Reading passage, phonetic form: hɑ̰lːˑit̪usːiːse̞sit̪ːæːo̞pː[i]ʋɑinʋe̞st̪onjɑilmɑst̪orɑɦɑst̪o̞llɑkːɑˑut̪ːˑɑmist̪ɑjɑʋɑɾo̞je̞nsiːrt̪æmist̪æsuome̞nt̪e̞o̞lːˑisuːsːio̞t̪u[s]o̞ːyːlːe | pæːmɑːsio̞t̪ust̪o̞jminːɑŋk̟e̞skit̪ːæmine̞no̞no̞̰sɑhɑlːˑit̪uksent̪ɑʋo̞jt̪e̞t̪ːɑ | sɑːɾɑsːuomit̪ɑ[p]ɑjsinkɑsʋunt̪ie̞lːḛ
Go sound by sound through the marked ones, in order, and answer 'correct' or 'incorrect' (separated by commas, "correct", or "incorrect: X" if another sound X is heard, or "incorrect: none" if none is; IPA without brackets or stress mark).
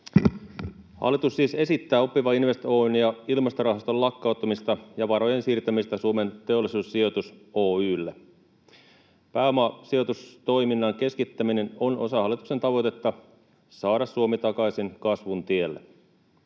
correct, correct, incorrect: k